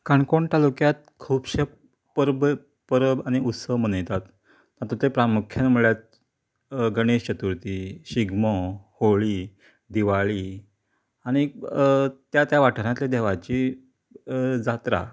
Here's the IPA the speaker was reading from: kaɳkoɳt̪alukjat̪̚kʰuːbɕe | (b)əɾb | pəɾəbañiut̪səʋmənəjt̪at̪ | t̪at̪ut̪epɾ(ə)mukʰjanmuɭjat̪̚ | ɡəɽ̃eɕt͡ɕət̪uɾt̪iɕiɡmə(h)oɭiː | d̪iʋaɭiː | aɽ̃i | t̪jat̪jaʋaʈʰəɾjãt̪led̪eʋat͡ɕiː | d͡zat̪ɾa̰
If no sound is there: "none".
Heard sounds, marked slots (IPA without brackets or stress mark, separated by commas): p, a, h